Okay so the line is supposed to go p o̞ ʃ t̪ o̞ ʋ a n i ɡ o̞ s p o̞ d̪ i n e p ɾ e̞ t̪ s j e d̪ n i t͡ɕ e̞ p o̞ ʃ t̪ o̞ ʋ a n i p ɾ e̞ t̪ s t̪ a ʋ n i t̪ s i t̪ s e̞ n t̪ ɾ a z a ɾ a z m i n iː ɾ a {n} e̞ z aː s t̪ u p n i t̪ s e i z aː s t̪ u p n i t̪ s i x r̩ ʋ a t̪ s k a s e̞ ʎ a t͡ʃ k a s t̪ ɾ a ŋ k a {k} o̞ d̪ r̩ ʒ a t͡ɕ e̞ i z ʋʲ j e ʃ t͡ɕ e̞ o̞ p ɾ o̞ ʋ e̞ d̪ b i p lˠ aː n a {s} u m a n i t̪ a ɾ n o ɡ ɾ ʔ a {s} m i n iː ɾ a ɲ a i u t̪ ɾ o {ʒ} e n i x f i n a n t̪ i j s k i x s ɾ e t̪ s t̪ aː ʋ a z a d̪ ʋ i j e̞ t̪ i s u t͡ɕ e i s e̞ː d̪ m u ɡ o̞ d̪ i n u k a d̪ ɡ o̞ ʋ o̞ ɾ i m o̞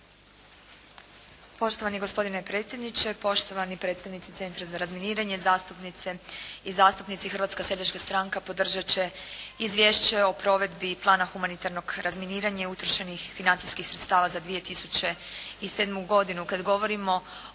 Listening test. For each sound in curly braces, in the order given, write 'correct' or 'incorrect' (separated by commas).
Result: incorrect, incorrect, incorrect, incorrect, incorrect